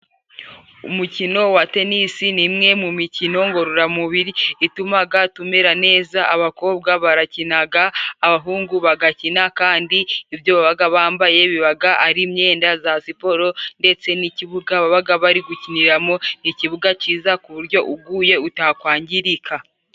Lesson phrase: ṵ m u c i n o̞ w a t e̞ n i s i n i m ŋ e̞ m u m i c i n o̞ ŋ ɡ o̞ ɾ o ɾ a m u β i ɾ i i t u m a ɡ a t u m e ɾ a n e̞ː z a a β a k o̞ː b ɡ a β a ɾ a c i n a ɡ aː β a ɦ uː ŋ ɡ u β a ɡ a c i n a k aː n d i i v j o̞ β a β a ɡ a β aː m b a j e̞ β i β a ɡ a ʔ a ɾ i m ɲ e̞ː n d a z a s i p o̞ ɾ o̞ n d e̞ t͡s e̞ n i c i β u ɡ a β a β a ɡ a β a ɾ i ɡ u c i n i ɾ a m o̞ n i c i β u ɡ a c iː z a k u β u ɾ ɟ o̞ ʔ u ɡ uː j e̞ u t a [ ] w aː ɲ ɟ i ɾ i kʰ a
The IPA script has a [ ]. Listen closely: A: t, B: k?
B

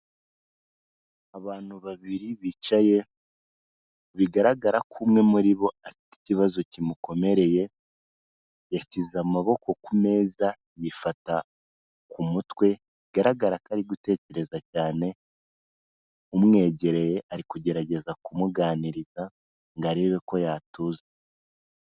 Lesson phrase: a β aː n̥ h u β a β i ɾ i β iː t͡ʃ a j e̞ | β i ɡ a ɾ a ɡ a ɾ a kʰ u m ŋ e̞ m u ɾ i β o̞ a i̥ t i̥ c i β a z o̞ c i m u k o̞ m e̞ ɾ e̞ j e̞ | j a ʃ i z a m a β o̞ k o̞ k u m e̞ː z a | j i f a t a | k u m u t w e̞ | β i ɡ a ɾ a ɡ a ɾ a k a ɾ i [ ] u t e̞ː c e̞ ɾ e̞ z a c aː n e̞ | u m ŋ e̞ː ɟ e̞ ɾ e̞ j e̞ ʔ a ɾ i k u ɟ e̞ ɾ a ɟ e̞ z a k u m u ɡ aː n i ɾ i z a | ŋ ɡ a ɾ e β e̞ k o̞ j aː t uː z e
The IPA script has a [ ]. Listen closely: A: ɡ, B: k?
A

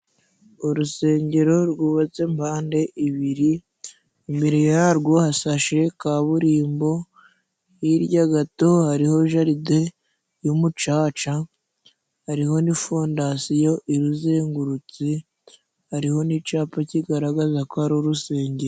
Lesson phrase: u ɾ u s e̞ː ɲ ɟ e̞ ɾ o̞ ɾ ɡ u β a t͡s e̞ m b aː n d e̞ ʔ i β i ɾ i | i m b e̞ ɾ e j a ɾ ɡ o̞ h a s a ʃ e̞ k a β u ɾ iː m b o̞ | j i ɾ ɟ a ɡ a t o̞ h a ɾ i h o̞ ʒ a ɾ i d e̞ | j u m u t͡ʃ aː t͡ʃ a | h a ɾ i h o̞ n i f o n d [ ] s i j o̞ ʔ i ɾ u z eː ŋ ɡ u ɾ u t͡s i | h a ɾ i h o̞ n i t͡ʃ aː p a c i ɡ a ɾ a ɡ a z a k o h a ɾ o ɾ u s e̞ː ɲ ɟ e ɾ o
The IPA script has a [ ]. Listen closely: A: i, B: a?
B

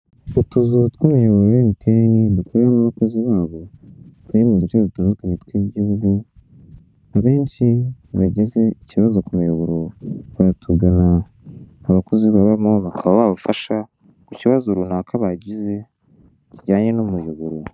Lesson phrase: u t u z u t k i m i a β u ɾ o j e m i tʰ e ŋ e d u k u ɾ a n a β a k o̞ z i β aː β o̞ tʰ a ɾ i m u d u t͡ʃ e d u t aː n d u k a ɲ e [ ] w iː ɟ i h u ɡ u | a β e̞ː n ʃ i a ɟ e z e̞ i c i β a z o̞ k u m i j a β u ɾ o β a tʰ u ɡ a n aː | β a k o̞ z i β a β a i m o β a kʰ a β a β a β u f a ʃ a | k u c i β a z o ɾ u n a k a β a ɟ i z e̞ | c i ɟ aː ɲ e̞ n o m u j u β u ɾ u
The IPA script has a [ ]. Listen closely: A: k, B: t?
B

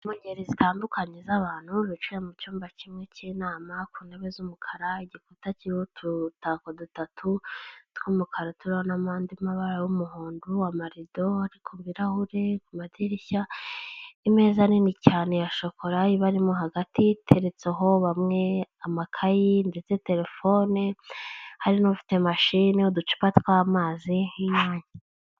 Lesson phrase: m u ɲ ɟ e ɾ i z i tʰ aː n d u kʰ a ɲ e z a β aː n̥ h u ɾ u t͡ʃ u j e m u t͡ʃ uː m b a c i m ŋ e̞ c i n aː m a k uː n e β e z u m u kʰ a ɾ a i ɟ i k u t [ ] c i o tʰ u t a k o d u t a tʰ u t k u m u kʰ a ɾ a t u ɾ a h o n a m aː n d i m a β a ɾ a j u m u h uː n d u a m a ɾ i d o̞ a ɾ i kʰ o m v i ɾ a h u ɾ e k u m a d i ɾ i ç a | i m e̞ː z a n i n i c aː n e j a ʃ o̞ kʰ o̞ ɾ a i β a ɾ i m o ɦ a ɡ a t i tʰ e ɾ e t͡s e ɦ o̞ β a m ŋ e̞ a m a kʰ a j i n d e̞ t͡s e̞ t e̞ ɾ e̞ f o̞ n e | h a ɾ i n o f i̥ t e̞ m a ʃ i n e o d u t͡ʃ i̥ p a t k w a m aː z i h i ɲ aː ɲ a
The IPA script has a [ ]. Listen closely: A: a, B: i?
A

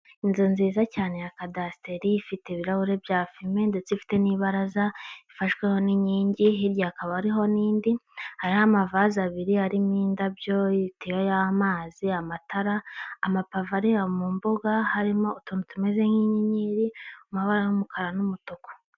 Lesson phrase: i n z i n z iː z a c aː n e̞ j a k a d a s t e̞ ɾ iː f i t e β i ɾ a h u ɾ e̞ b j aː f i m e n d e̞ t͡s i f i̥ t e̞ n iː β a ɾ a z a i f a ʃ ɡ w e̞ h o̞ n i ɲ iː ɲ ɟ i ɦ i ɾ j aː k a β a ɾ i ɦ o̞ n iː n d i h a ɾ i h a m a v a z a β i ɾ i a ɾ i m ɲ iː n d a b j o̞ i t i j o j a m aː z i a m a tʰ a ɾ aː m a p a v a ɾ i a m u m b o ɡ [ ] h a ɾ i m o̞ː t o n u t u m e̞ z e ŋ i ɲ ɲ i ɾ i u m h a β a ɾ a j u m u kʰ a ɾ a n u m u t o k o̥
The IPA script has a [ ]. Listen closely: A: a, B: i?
A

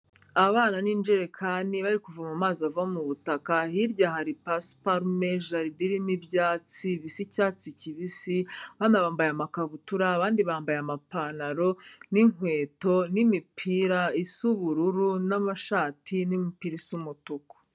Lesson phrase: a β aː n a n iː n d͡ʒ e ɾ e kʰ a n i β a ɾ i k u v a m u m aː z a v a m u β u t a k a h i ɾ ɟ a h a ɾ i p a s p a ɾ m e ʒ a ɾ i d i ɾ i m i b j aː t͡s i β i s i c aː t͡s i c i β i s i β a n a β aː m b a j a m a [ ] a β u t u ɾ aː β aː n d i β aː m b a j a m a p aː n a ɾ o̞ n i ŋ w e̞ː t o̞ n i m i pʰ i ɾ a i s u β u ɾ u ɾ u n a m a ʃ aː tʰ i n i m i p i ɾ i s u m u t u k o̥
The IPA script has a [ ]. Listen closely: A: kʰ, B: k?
B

